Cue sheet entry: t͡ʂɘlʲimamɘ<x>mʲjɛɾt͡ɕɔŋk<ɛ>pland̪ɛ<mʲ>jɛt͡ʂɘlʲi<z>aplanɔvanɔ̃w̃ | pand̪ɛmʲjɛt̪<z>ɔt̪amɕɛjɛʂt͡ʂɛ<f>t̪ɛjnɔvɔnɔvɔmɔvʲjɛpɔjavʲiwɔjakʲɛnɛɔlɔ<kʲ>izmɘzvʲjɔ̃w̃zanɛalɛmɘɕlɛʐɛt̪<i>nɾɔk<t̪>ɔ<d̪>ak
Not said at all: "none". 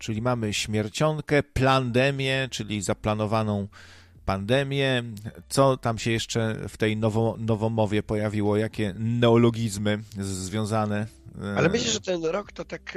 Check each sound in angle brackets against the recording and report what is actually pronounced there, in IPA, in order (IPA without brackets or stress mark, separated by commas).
ɕ, ɛ, mʲ, z, s, f, ɡʲ, ɛ, t̪, t̪